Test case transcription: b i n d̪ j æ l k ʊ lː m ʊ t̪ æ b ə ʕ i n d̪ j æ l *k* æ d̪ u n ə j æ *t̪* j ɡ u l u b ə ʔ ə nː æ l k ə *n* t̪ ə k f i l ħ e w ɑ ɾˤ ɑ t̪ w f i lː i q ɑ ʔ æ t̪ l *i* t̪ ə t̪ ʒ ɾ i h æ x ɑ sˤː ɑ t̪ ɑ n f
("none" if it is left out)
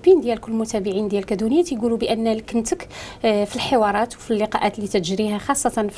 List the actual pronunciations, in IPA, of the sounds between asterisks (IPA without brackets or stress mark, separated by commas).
k, t̪, n, i